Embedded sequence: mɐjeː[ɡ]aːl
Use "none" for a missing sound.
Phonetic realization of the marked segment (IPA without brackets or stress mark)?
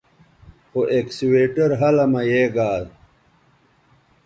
ɡ